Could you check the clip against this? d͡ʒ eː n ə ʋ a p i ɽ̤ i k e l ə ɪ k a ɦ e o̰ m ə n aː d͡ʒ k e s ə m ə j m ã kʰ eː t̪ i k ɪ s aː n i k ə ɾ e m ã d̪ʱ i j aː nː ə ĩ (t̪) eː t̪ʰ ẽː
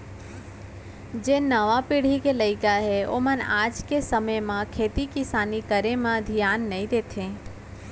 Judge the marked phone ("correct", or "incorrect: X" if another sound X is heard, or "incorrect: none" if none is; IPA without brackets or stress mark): incorrect: d̪